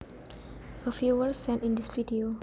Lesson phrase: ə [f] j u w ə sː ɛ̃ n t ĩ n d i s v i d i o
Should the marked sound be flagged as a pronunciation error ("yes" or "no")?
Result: no